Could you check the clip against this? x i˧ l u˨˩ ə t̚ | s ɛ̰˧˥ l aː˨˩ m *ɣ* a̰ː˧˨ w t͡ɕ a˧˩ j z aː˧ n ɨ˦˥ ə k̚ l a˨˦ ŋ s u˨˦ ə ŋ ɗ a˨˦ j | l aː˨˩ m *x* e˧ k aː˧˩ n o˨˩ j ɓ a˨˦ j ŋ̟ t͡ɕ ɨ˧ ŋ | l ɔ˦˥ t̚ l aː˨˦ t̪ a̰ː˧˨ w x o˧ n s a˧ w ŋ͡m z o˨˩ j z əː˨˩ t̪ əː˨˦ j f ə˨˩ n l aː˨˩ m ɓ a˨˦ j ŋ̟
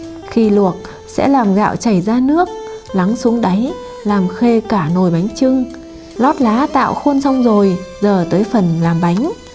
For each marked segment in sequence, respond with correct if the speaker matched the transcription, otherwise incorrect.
correct, correct

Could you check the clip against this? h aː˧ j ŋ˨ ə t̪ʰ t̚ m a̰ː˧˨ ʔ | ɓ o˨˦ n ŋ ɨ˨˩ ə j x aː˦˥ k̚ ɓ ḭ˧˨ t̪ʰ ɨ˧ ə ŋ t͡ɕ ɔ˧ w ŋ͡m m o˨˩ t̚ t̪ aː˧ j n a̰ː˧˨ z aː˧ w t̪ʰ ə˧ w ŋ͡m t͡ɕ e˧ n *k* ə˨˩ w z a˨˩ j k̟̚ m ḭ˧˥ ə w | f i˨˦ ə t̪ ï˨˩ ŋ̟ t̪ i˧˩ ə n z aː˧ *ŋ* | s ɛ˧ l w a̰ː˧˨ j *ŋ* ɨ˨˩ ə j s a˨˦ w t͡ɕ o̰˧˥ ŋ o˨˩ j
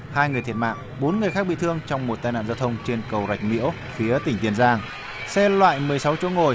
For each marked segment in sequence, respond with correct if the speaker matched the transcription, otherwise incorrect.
correct, correct, incorrect

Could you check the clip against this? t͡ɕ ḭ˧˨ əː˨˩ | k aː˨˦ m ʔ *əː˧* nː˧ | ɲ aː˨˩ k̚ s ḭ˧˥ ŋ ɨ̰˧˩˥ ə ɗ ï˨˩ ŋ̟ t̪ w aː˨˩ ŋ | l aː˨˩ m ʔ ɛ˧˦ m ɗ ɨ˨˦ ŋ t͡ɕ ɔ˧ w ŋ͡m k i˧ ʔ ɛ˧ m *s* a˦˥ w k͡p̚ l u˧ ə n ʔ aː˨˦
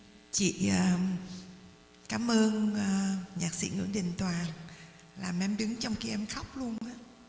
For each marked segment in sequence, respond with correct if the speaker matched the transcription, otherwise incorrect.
correct, incorrect

